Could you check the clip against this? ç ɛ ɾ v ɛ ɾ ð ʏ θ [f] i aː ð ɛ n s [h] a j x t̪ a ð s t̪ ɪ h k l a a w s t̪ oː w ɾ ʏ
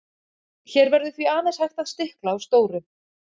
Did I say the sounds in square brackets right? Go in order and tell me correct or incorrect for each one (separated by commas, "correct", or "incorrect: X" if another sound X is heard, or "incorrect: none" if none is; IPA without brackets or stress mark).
incorrect: v, correct